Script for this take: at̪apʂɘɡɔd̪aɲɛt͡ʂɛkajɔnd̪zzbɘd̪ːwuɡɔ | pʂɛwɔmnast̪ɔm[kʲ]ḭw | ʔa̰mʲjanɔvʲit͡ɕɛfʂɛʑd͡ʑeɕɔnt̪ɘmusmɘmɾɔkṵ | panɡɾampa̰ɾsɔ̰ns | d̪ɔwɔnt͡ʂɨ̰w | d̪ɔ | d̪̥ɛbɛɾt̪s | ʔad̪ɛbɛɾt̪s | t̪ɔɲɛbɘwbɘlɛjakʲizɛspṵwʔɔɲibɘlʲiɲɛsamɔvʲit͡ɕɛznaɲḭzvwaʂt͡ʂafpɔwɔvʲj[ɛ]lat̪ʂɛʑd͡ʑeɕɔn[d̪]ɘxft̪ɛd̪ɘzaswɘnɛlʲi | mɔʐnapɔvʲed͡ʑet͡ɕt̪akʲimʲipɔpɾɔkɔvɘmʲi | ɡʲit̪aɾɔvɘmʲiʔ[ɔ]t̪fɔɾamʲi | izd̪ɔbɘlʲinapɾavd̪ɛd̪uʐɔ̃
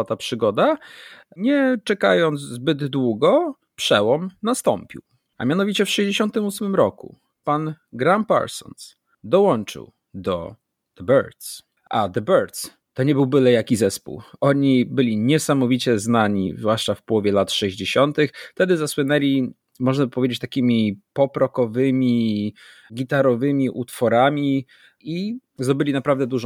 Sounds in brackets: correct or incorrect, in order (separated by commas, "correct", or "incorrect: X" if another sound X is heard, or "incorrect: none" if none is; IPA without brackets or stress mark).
incorrect: pʲ, correct, incorrect: t̪, incorrect: u